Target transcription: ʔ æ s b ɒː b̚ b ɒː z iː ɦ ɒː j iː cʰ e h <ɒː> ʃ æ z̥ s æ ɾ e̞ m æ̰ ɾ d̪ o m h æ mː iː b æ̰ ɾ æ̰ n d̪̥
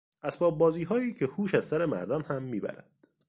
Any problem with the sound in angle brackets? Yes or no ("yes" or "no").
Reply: yes